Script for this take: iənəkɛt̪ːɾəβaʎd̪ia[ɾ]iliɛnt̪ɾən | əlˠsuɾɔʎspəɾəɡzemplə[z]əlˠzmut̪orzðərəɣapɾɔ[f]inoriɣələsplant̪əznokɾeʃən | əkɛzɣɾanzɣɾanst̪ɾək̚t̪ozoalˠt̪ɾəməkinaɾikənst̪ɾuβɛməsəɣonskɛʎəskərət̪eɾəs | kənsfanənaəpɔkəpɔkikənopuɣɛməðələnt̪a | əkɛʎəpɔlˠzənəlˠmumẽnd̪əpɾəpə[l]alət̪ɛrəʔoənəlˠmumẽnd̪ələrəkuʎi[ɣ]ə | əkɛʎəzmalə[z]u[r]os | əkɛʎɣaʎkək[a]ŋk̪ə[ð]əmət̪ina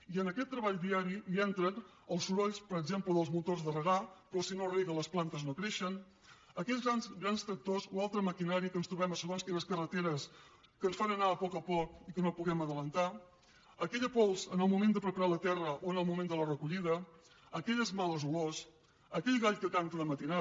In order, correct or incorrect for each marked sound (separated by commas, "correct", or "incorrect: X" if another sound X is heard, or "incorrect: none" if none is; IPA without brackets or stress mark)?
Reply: correct, incorrect: ð, incorrect: s, incorrect: ɾ, incorrect: ð, correct, incorrect: l, correct, correct